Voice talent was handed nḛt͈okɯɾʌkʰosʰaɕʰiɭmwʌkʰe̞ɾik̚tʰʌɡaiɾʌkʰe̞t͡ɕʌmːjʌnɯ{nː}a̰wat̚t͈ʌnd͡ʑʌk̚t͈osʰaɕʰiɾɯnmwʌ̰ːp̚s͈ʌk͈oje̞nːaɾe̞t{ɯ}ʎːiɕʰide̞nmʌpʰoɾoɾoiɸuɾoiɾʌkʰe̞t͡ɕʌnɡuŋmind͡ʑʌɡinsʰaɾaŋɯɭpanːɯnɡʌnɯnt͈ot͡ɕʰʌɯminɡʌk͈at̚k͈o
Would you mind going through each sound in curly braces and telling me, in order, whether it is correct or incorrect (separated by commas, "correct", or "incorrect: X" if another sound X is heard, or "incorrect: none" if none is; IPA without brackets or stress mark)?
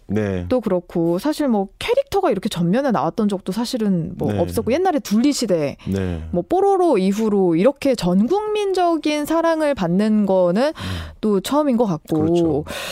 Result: incorrect: n, incorrect: u